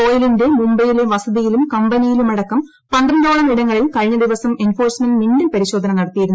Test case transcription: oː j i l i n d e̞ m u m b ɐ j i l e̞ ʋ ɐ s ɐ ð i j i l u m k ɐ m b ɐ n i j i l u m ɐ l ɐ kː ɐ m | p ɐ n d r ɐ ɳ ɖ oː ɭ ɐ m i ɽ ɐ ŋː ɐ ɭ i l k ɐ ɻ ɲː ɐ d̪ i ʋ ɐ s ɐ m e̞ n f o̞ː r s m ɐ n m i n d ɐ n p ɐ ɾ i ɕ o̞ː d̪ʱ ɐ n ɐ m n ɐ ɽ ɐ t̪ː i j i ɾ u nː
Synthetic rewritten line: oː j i l i n d e̞ m u m b ɐ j i l e̞ ʋ ɐ s ɐ ð i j i l u m k ɐ m b ɐ n i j i l u m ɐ ɽ ɐ kː ɐ m | p ɐ n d r ɐ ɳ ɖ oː ɭ ɐ m i ɽ ɐ ŋː ɐ ɭ i l k ɐ ɻ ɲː ɐ d̪ i ʋ ɐ s ɐ m e̞ n f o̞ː r s m ɐ n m i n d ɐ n p ɐ ɾ i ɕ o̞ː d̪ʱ ɐ n ɐ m n ɐ ɽ ɐ t̪ː i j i ɾ u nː